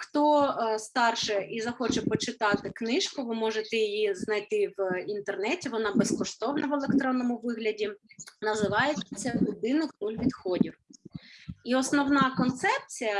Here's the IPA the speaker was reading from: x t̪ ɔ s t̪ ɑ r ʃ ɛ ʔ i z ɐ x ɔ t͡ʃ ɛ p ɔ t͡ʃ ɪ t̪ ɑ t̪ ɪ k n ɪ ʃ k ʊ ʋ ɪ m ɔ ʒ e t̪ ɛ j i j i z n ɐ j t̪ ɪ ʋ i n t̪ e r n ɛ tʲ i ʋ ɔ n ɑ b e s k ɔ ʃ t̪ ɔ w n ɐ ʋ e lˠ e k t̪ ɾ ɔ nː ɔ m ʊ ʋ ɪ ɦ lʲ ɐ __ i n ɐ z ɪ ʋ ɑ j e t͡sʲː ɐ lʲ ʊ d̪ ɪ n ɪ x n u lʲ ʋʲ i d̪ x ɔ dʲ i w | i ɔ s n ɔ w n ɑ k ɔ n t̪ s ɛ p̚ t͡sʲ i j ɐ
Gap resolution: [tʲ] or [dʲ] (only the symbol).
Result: dʲ